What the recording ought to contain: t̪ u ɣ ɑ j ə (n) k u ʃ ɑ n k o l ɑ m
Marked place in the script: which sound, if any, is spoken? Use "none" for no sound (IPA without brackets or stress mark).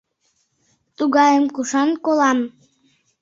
m